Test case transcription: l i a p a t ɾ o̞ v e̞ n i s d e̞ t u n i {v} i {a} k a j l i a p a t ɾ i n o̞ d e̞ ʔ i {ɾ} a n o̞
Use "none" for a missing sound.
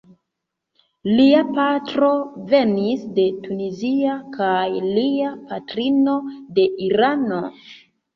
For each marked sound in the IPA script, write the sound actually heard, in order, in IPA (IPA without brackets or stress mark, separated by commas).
z, a, ɾ